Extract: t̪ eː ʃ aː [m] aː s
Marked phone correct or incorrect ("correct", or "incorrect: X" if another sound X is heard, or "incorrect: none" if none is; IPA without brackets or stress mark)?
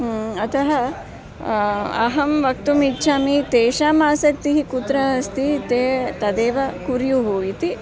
correct